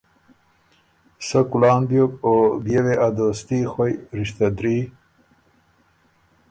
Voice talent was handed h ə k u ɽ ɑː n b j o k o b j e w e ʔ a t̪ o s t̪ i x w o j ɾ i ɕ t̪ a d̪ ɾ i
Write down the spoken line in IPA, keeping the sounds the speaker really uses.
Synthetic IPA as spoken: s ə k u l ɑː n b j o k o b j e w e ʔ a d̪ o s t̪ i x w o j ɾ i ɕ t̪ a d̪ ɾ i